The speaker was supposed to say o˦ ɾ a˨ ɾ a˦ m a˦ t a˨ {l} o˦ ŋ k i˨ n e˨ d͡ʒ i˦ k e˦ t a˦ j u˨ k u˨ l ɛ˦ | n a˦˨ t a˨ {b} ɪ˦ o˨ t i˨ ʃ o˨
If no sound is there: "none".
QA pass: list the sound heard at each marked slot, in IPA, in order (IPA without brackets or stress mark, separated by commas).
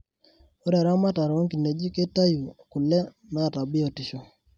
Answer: ɾ, b